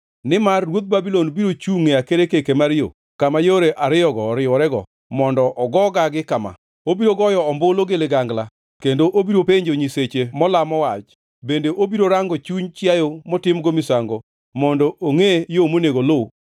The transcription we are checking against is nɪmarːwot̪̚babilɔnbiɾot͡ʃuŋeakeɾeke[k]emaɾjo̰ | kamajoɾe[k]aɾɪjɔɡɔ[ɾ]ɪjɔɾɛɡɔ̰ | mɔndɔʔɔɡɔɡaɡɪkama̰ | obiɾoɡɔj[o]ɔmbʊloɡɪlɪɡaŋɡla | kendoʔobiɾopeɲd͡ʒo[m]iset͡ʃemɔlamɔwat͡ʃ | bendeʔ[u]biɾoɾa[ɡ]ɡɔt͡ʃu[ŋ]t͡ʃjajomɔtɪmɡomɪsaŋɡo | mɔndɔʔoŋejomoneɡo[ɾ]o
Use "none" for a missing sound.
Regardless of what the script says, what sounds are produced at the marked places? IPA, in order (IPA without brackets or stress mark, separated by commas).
k, ʔ, ɾ, ɔ, ɲ, o, ŋ, ɲ, l